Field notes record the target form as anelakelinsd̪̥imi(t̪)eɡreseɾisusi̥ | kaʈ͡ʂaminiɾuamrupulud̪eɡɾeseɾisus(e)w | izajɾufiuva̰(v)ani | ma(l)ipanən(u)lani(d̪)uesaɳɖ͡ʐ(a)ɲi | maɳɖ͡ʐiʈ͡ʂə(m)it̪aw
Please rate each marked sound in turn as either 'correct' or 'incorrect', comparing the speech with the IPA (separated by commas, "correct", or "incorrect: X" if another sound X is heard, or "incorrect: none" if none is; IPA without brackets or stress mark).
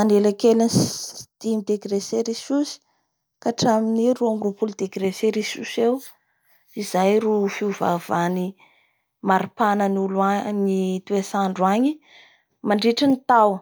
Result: incorrect: d̪, correct, correct, incorrect: ɾ, correct, incorrect: t̪, correct, incorrect: n